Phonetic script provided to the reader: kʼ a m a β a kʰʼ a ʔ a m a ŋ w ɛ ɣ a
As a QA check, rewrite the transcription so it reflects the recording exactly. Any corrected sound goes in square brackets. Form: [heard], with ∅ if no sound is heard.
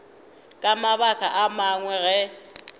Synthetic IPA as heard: kʼ a m a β a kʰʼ a ʔ a m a ŋ w ɛ ɣ [ɛ]